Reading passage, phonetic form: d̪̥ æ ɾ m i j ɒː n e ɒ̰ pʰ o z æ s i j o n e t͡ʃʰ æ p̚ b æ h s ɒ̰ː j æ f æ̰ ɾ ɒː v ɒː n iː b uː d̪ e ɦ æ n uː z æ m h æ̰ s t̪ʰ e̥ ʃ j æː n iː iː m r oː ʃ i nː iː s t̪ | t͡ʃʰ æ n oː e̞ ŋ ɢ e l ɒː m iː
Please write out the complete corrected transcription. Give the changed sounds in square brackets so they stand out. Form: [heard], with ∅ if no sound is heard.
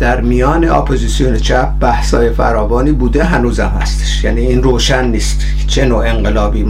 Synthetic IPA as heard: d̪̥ æ ɾ m i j ɒː n e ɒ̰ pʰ o z [i] s i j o n e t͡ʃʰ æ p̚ b æ h s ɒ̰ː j [e] f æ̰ ɾ ɒː v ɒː n iː b uː d̪ e ɦ æ n uː z æ m h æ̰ s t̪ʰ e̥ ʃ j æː n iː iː [n] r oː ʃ [æ] nː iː s t̪ | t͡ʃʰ [e] n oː e̞ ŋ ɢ e l ɒː [b] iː